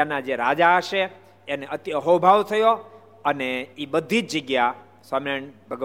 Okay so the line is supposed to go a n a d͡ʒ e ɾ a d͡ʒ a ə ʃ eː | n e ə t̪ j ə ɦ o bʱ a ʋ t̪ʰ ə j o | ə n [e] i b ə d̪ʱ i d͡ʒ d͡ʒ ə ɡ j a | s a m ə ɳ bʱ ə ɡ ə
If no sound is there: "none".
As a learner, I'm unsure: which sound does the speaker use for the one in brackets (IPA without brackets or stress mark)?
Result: e